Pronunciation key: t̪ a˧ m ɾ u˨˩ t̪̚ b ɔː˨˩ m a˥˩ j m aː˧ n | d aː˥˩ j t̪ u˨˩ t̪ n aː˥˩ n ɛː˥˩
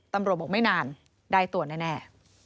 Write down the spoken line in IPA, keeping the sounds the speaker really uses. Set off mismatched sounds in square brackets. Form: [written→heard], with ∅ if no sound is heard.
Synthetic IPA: t̪ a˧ m ɾ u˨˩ t̪̚ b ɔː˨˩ m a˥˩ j [m→n] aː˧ n | d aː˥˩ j t̪ u˨˩ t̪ n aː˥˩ n ɛː˥˩